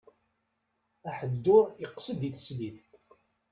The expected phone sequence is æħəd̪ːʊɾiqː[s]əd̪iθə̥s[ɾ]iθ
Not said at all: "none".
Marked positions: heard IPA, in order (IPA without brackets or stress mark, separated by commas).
s, l